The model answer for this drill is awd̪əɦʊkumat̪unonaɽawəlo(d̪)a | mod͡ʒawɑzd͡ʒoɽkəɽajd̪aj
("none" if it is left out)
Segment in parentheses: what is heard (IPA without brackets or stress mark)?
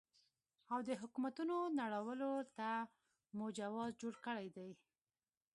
t̪